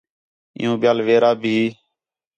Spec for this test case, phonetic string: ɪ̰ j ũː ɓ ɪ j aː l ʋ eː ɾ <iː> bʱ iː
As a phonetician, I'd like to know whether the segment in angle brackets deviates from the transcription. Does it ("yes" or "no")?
yes